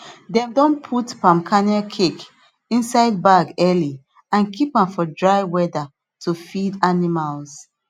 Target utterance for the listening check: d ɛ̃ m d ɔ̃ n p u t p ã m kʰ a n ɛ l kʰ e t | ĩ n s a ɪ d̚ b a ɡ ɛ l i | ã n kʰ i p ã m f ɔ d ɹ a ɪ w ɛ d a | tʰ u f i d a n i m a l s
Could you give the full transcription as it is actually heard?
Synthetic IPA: d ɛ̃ m d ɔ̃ n pʰ u t p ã m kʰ a n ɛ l kʰ e k | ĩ n s a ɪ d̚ b a ɡ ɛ l i | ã n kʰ i p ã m f ɔ d ɹ a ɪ w ɛ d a | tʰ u f i d a n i m a l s